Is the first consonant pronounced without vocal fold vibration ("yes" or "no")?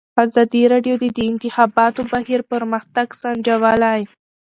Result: no